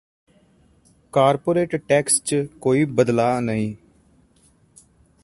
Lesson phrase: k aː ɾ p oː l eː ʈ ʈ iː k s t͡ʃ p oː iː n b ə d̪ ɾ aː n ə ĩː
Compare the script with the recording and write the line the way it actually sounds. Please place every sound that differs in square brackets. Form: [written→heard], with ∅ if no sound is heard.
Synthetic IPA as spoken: k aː ɾ p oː [l→ɾ] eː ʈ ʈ [iː→ɛː] k s t͡ʃ [p→k] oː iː [n→∅] b ə d̪ [ɾ→l] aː n ə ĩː